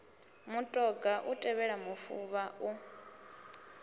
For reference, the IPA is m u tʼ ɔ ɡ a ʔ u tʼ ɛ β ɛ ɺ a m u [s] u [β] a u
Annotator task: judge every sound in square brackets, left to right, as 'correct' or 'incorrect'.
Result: incorrect: f, correct

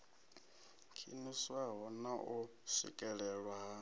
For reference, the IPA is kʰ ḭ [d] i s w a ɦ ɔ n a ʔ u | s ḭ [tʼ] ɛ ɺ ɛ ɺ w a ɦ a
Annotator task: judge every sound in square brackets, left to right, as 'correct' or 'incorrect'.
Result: incorrect: n, incorrect: kʼ

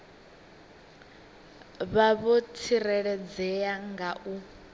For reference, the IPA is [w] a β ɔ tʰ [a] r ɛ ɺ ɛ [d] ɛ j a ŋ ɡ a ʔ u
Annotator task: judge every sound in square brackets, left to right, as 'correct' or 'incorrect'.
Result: incorrect: β, incorrect: i, incorrect: d͡z

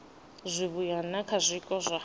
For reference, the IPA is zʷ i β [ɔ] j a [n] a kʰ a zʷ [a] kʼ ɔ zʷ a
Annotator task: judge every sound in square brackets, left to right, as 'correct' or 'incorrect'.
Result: incorrect: u, correct, incorrect: i

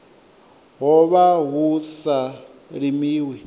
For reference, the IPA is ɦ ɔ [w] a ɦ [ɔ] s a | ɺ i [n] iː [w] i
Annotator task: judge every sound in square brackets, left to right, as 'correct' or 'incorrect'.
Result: incorrect: β, incorrect: u, incorrect: m, correct

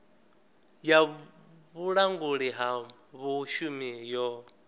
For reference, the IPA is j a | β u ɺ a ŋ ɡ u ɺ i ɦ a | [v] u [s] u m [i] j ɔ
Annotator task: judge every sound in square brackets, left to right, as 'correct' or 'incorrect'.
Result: incorrect: β, incorrect: ʃ, correct

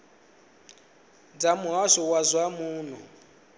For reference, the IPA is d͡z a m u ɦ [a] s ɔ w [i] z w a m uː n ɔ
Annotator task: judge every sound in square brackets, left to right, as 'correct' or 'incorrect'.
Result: correct, incorrect: a

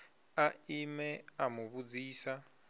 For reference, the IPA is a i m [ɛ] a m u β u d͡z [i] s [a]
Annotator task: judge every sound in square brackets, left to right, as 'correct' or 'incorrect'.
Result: correct, incorrect: iː, correct

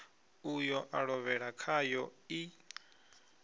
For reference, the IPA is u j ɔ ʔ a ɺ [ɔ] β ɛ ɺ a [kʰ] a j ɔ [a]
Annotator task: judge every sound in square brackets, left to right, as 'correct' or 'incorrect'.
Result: correct, correct, incorrect: i

